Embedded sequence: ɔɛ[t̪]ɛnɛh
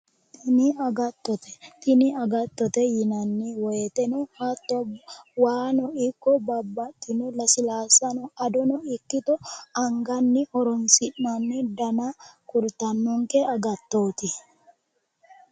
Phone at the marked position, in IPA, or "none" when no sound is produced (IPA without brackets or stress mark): t̪